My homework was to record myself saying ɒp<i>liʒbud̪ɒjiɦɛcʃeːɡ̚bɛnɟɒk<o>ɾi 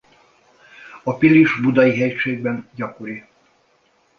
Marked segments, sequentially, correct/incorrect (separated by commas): correct, correct